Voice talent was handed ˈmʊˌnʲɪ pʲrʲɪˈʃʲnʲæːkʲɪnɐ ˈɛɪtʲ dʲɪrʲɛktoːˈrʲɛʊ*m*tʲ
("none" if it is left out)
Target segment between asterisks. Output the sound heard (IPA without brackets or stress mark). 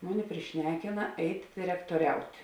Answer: none